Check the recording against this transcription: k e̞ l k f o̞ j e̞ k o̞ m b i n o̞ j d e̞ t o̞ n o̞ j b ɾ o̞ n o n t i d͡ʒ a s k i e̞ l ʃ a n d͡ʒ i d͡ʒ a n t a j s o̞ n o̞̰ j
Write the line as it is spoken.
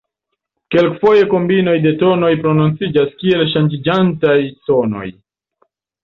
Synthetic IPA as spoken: k e̞ l k f o̞ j e̞ k o̞ m b i n o̞ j d e̞ t o̞ n o̞ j p ɾ o̞ n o n t͡s i d͡ʒ a s k i e̞ l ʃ a n d͡ʒ i d͡ʒ a n t a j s o̞ n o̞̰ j